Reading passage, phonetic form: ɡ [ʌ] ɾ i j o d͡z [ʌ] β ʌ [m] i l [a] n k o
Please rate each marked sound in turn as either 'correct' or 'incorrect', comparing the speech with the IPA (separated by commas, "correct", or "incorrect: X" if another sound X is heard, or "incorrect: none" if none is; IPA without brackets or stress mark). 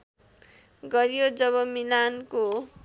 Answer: correct, correct, correct, correct